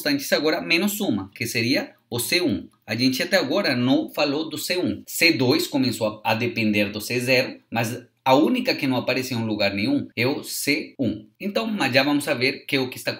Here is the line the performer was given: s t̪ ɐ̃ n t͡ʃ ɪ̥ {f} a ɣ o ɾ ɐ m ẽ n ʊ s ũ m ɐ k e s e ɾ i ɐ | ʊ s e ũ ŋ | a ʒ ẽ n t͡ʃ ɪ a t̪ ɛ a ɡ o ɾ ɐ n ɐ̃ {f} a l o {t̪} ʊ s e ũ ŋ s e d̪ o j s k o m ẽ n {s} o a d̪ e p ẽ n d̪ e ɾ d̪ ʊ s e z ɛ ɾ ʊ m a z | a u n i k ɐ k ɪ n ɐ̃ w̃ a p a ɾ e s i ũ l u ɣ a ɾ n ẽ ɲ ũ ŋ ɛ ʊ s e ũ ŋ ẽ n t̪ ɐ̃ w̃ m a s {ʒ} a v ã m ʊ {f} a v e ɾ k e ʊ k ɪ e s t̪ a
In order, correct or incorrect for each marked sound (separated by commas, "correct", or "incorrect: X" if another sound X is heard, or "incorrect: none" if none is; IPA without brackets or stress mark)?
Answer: incorrect: s, correct, incorrect: d̪, correct, correct, incorrect: s